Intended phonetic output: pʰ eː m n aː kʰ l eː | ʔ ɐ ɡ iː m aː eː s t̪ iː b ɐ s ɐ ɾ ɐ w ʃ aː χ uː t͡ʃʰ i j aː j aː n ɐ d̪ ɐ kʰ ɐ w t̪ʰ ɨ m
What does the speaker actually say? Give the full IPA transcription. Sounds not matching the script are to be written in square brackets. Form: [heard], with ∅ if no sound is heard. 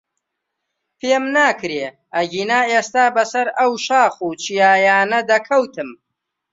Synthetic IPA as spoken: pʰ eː m n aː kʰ [ɾ] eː | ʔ ɐ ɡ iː [n] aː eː s t̪ [aː] b ɐ s ɐ ɾ ɐ w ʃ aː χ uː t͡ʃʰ i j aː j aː n ɐ d̪ ɐ kʰ ɐ w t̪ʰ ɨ m